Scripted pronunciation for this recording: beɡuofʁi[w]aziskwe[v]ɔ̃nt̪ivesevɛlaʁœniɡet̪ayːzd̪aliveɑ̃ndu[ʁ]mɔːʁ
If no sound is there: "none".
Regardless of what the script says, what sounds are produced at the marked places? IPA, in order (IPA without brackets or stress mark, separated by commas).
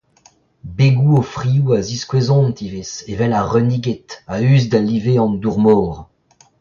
u, z, ʁ